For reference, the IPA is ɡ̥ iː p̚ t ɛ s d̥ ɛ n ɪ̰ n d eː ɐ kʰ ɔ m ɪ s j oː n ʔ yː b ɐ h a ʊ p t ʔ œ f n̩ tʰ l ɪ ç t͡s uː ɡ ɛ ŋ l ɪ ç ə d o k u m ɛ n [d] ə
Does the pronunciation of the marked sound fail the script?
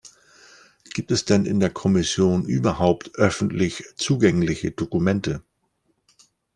yes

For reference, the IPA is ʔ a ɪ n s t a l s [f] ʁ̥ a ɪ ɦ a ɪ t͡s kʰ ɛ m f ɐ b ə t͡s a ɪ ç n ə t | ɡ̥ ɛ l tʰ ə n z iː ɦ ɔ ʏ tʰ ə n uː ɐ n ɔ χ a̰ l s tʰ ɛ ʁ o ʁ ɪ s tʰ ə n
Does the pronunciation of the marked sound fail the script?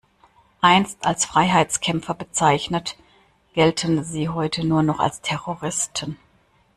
no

